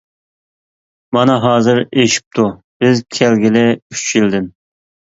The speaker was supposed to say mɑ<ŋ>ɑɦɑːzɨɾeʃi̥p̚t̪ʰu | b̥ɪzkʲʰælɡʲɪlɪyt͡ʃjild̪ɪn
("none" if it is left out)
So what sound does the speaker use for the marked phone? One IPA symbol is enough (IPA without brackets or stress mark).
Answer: n